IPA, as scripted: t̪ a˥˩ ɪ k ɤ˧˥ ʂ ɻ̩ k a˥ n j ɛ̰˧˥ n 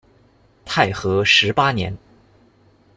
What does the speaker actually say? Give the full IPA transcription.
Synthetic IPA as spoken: t̪ʰ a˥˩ ɪ x ɤ˧˥ ʂ ɻ̩ p a˥ n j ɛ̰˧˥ n